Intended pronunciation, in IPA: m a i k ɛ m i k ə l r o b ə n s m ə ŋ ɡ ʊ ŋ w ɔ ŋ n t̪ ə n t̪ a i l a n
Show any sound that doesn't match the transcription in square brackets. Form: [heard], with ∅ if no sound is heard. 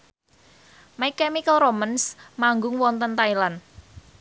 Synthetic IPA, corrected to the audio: m a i k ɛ m i k ə l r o [m] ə n s m [a] ŋ ɡ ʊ ŋ w ɔ [∅] n t̪ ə n t̪ a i l a n